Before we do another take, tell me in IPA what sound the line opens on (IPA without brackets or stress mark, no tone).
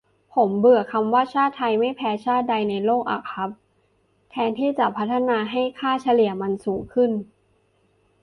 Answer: pʰ